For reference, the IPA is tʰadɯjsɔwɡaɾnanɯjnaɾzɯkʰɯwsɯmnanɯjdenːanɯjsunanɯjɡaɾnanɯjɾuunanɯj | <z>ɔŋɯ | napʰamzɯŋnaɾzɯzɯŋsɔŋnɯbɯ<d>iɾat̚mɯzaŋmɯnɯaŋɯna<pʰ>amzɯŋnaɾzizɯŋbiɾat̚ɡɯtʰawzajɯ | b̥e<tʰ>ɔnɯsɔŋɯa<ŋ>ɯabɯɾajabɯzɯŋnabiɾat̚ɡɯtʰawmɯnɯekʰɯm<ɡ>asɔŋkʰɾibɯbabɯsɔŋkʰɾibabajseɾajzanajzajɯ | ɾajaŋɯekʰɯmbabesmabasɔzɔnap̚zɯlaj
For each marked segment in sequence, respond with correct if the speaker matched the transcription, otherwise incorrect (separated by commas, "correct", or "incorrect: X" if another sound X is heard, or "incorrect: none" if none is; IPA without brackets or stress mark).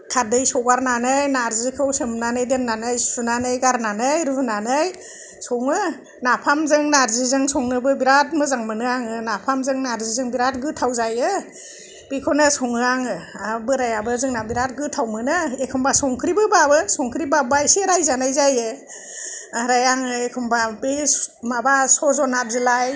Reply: incorrect: s, incorrect: b, correct, incorrect: kʰ, correct, incorrect: b